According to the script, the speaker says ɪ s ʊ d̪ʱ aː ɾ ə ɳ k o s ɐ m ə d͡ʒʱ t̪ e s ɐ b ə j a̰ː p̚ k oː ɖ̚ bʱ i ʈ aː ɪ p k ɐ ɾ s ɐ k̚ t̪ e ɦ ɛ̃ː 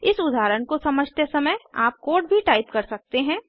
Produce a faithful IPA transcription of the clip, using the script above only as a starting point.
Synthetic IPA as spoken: ɪ s ʊ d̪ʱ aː ɾ ə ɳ k o s ɐ m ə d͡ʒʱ t̪ e s ɐ m ə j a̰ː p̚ k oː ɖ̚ bʱ i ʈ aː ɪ p k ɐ ɾ s ɐ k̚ t̪ e ɦ ɛ̃ː